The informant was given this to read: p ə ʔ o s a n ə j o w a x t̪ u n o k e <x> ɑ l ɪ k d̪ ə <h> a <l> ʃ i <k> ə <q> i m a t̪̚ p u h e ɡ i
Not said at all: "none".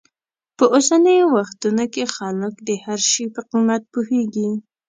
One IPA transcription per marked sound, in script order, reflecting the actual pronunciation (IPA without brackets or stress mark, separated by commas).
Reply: x, h, ɾ, p, q